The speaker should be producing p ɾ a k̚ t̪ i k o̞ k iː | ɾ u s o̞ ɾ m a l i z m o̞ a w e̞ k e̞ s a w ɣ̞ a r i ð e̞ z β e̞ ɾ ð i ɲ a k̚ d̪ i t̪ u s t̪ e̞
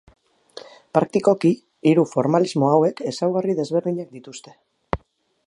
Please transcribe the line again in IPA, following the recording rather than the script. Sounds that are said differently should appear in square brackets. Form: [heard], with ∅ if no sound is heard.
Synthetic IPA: p ɾ a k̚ t̪ i k o̞ k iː | ɾ u [f] o̞ ɾ m a l i z m o̞ a w e̞ k e̞ s a w ɣ̞ a r i ð e̞ z β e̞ ɾ ð i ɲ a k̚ d̪ i t̪ u s t̪ e̞